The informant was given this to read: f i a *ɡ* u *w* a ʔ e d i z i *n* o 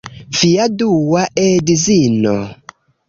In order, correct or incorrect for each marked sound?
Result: incorrect, correct, correct

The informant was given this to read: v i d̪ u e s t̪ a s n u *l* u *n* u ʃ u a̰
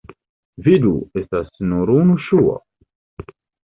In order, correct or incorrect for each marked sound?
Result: incorrect, correct

